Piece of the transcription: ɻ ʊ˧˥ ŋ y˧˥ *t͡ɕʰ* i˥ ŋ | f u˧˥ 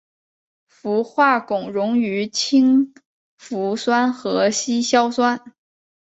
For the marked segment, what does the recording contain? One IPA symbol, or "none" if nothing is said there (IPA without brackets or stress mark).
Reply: t͡ɕʰ